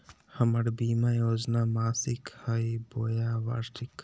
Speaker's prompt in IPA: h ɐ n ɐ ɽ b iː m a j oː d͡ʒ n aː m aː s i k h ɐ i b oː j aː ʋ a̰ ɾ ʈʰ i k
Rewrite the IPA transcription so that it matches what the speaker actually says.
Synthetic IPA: h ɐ m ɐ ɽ b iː m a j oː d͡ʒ n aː m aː s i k h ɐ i b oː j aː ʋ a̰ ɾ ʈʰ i k